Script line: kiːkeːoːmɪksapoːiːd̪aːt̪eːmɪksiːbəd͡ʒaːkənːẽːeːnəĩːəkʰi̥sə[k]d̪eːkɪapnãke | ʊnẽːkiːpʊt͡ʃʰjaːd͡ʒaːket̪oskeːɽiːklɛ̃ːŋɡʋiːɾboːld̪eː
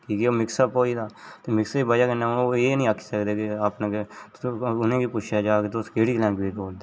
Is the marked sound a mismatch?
no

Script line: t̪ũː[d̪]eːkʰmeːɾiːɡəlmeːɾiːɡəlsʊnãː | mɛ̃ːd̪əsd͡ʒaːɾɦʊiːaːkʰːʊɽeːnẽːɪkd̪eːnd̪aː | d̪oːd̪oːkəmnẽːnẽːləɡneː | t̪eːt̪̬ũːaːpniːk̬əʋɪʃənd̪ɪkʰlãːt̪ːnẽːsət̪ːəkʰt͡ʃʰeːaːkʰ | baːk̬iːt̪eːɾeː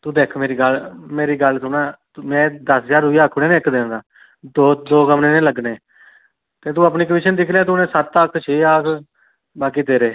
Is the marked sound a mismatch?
no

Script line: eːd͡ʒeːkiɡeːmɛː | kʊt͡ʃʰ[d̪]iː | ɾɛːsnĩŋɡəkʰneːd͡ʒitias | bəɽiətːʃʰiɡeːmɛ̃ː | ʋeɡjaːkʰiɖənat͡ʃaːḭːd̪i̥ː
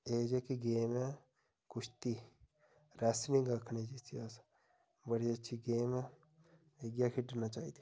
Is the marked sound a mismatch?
yes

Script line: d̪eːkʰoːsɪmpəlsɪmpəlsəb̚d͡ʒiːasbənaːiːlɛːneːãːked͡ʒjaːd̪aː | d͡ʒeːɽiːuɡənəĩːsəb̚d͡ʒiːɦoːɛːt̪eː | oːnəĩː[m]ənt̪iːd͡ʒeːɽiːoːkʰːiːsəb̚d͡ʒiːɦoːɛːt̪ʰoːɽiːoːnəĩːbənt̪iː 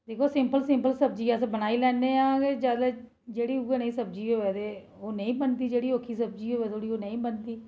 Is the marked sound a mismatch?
yes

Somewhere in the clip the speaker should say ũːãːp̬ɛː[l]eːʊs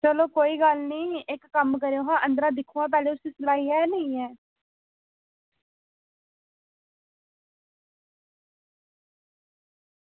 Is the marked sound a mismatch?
no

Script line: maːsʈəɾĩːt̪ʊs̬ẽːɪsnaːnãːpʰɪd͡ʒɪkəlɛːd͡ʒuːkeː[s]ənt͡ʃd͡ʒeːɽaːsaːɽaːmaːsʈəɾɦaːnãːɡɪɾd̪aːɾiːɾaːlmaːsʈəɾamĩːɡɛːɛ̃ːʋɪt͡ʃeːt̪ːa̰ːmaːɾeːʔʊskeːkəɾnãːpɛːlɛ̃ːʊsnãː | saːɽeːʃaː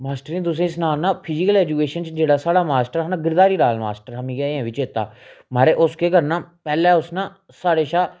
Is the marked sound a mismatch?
yes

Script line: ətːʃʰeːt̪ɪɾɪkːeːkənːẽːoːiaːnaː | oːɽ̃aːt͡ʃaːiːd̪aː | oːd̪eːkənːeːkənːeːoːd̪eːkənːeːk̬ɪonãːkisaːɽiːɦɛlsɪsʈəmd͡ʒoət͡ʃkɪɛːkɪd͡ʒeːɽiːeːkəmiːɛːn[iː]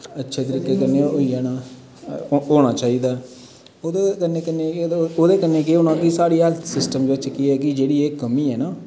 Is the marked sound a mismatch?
yes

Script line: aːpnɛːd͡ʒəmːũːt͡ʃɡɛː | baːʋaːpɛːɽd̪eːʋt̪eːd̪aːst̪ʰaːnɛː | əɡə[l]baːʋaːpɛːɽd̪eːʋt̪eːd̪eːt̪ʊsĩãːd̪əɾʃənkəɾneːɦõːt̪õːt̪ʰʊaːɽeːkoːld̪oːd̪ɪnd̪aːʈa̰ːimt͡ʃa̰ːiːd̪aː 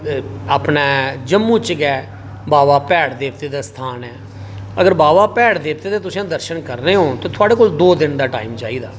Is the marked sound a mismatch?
yes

